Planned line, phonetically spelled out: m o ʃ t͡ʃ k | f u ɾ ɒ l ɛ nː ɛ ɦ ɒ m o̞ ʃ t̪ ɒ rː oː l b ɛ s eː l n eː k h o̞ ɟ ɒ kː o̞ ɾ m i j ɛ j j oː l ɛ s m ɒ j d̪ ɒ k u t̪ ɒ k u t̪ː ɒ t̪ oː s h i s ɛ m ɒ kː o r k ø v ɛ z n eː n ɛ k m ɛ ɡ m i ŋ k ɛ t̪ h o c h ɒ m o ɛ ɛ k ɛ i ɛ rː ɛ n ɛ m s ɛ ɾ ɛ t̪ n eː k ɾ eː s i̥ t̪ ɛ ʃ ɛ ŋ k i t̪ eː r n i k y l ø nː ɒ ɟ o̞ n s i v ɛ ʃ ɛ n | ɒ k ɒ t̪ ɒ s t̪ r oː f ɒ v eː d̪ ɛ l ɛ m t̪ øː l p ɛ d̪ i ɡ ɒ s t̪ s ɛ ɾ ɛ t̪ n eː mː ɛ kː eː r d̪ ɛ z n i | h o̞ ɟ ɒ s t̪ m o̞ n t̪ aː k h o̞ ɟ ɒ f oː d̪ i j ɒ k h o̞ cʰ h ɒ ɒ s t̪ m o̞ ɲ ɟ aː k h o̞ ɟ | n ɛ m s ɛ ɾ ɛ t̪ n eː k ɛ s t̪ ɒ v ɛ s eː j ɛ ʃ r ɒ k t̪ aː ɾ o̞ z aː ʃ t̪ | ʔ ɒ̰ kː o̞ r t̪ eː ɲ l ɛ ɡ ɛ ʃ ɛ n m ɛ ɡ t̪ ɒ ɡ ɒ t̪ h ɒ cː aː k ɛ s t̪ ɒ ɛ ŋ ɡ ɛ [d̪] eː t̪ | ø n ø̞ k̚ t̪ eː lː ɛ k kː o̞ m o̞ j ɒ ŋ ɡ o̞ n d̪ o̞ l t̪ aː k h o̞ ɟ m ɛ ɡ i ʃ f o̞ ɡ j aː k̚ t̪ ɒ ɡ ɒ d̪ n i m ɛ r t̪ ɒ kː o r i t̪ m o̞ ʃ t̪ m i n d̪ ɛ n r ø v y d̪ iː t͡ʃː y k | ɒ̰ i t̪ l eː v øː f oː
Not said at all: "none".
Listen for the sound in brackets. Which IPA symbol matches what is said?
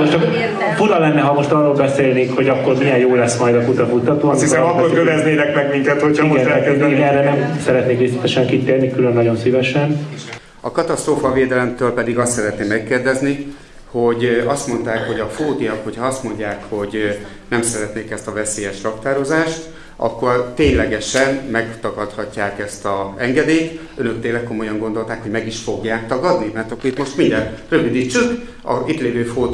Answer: d̪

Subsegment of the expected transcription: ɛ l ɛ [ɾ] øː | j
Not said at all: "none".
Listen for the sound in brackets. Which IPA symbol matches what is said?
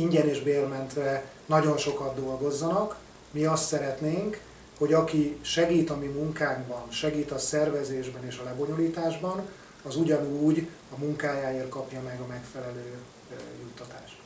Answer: l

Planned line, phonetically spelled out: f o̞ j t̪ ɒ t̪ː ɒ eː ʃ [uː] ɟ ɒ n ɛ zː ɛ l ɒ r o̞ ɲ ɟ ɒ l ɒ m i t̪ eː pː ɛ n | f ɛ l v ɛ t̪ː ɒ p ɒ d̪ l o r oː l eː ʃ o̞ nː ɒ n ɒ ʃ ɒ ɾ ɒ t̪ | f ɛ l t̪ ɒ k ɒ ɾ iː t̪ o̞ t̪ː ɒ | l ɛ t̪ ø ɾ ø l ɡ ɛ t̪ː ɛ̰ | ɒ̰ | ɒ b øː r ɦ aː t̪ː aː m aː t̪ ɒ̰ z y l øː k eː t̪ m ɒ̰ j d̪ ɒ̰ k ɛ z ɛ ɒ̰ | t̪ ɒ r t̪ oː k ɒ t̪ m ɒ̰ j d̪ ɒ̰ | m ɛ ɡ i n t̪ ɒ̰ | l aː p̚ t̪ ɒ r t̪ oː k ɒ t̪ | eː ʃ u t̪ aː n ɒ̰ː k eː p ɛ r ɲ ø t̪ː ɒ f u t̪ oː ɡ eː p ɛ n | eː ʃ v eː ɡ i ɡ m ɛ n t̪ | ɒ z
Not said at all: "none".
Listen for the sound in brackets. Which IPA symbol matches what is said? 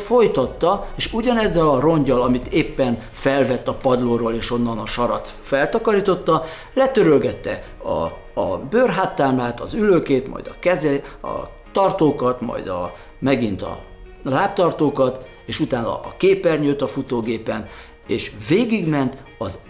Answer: u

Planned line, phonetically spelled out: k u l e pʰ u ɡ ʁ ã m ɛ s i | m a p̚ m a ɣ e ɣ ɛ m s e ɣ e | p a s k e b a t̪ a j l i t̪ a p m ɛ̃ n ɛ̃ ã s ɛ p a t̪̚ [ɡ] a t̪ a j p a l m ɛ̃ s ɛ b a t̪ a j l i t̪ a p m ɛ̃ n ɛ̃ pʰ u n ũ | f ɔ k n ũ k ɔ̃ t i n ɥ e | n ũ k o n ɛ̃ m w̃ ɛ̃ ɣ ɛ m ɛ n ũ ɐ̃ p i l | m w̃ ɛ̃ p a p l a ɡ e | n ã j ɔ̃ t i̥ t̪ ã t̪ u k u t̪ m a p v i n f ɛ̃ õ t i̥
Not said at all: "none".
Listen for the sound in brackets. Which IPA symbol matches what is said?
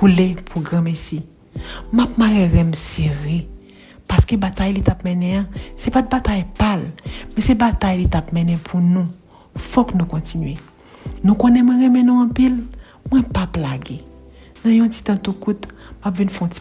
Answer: b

